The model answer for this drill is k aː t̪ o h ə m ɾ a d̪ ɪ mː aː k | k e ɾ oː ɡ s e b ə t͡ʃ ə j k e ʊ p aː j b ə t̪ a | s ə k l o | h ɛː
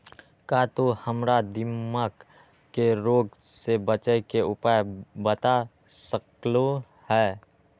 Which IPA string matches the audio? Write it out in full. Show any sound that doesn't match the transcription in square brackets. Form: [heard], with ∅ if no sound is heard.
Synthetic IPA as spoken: k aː t̪ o h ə m ɾ a d̪ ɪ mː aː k | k e ɾ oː ɡ s e b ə t͡ʃ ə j k e ʊ p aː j b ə t̪ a | s ə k l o | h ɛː